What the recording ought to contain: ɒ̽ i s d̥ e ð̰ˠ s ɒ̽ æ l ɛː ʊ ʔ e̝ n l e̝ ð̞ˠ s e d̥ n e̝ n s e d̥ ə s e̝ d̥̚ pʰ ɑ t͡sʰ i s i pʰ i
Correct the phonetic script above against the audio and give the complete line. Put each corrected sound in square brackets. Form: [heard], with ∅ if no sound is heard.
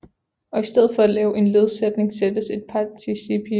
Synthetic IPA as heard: ɒ̽ i s d̥ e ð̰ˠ [f] ɒ̽ æ l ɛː ʊ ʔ e̝ n l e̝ ð̞ˠ s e d̥ n e̝ [ŋ] s e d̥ ə s e̝ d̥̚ pʰ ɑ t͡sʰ i s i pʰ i